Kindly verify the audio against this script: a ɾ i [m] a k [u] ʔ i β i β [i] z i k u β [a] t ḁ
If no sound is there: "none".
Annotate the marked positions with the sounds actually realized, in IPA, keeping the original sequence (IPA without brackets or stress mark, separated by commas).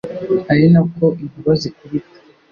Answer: n, o, a, i